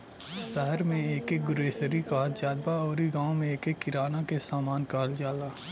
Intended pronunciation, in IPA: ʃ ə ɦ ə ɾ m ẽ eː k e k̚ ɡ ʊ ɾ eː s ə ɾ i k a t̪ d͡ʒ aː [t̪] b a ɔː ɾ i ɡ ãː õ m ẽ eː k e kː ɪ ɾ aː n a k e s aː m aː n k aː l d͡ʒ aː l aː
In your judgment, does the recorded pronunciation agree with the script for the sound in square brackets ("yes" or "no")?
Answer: no